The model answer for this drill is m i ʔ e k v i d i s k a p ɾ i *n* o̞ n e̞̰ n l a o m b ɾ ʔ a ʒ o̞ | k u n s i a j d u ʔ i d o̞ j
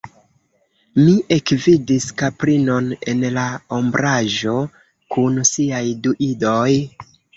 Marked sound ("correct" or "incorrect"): correct